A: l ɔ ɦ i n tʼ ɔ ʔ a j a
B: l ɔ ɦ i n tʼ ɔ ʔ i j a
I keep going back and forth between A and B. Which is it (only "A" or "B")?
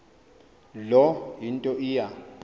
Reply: B